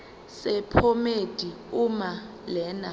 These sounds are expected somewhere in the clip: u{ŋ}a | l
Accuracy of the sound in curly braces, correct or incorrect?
incorrect